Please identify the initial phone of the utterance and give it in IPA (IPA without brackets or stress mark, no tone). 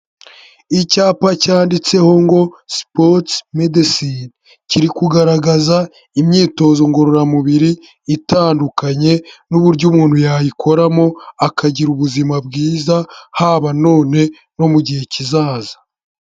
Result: i